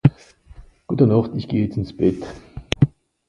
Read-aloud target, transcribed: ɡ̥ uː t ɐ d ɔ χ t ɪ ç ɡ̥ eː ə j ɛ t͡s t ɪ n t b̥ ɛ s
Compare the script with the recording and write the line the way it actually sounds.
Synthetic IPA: ɡ̥ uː t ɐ n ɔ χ t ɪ ç ɡ̥ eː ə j ɛ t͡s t ɪ n s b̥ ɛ t